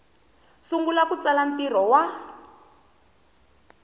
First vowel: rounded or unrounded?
rounded